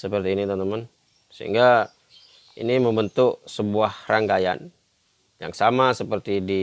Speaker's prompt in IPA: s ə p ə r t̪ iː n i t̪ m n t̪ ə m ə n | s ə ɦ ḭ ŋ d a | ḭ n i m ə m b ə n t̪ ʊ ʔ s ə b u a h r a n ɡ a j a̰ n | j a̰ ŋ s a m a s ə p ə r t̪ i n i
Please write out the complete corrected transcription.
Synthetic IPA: s ə p ə r t̪ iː n i t̪ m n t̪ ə m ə n | s ə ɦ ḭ ŋ ɡ a | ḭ n i m ə m b ə n t̪ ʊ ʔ s ə b u a h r a ŋ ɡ a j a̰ n | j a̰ ŋ s a m a s ə p ə r t̪ i d i